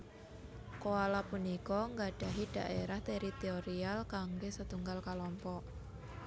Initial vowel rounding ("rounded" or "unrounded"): rounded